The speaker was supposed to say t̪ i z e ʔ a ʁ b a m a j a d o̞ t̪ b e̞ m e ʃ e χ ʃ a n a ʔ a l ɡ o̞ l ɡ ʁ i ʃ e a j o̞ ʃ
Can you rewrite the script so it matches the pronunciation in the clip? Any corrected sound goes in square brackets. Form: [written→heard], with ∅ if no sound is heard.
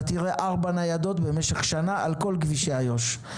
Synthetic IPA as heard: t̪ i [z→ʁ] e ʔ a ʁ b a [m→n] a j a d o̞ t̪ b e̞ m e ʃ e χ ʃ a n a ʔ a l [ɡ→k] o̞ l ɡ [ʁ→v] i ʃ e a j o̞ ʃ

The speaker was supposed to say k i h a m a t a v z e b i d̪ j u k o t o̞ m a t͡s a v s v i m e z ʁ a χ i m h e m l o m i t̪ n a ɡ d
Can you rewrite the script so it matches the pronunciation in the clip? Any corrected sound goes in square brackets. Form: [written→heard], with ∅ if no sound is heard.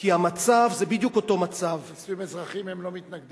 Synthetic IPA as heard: k i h a m a [t→t͡s] a v z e b i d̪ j u k o t o̞ m a t͡s a v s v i m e z ʁ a χ i m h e m l o m i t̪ n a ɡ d

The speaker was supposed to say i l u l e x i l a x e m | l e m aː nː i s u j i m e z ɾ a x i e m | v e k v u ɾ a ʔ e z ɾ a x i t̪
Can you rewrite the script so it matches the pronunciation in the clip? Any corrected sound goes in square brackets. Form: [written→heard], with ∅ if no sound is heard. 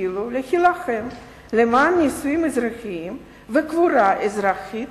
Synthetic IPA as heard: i l u l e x i l a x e m | l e m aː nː i s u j i m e z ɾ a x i [e→i] m | v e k v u ɾ a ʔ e z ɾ a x i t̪

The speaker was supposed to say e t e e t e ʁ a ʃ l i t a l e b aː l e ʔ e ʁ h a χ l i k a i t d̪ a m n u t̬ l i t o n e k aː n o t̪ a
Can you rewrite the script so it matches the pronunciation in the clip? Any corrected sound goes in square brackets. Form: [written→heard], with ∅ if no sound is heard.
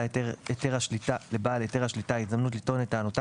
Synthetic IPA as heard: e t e e t e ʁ a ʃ l i t a l e b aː l e [ʔ→t] e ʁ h a [χ→ʃ] l i [k→t] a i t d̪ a m n u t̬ l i t o n e [k→t] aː n o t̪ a

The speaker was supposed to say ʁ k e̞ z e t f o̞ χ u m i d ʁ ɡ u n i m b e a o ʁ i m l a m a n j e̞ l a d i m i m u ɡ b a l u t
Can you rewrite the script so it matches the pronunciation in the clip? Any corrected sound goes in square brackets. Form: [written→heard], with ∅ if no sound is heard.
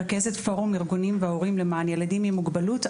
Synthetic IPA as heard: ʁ k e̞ z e t f o̞ [χ→ʁ] u m i [d→∅] ʁ ɡ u n i m [b→v] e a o ʁ i m l [a→e] m a n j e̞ l a d i m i m u ɡ b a l u t

